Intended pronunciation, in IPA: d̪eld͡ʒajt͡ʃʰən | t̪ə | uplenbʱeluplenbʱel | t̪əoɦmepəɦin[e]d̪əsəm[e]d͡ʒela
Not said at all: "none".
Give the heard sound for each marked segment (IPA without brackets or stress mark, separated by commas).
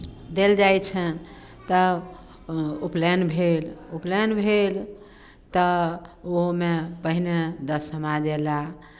e, a